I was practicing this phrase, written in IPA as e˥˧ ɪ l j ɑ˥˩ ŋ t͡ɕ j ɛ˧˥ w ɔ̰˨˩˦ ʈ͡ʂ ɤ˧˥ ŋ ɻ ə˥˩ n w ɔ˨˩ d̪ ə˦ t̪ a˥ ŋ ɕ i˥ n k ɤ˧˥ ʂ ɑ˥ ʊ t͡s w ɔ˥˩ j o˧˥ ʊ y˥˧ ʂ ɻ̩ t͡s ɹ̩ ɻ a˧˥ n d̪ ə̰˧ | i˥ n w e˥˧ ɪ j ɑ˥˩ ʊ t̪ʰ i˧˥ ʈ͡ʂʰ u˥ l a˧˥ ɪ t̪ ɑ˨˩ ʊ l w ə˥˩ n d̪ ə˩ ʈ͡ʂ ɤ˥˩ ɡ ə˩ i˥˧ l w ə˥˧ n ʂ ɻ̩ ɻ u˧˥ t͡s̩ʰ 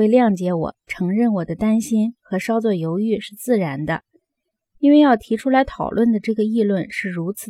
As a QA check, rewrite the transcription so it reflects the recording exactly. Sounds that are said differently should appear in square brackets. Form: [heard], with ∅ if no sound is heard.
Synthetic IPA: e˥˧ ɪ l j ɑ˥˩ ŋ t͡ɕ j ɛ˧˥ w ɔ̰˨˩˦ [ʈ͡ʂʰ] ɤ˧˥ ŋ ɻ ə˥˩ n w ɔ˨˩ d̪ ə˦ t̪ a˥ [n] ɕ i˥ n [x] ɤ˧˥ ʂ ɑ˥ ʊ t͡s w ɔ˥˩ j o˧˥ ʊ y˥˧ ʂ ɻ̩ t͡s ɹ̩ ɻ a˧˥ n d̪ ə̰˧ | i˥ n w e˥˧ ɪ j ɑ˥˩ ʊ t̪ʰ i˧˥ ʈ͡ʂʰ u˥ l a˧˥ ɪ [t̪ʰ] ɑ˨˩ ʊ l w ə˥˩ n d̪ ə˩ ʈ͡ʂ ɤ˥˩ ɡ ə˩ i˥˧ l w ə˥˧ n ʂ ɻ̩ ɻ u˧˥ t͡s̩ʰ